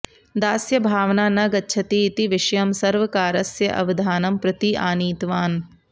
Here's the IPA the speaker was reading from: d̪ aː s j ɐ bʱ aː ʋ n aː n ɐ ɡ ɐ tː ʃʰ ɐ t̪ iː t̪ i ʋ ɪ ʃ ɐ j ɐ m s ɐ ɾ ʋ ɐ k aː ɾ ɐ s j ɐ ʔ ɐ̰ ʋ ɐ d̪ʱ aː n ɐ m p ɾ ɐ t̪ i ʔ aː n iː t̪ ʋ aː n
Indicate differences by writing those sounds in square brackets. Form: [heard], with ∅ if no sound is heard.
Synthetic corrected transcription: d̪ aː s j ɐ bʱ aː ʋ n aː n ɐ ɡ ɐ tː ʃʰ ɐ t̪ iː t̪ i ʋ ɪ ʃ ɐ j ɐ m s ɐ ɾ ʋ ɐ k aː ɾ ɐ s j ɐ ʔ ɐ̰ ʋ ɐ d̪ʱ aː n ɐ m p ɾ ɐ t̪ i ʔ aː n iː t̪ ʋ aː n